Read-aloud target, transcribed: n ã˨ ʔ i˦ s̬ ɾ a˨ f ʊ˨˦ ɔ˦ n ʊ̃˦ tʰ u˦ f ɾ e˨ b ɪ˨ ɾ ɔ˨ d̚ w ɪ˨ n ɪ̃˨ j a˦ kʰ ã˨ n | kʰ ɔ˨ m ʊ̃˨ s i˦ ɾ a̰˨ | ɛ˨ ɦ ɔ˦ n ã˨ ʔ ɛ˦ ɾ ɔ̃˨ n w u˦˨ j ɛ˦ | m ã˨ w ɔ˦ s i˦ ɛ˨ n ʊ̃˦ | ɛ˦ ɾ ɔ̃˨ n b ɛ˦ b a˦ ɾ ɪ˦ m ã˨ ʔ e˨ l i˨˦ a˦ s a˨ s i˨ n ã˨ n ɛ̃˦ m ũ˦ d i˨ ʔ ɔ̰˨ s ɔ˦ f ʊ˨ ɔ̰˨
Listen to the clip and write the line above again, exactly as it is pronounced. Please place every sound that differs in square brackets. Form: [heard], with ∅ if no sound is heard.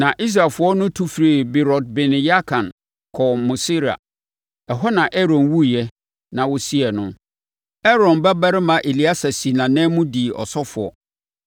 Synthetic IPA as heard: n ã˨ ʔ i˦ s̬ ɾ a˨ f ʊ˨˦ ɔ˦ n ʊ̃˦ tʰ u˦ f ɾ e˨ b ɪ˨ ɾ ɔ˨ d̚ [b] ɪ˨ n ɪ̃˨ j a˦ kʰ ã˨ n | kʰ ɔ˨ m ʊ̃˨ s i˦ ɾ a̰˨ | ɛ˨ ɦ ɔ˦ n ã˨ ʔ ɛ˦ ɾ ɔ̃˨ n w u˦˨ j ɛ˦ | [n] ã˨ w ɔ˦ s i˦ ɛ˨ n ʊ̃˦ | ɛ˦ ɾ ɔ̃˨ n b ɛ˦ b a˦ ɾ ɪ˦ m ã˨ ʔ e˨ l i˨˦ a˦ s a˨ s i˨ n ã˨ n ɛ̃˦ m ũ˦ d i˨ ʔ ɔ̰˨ s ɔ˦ f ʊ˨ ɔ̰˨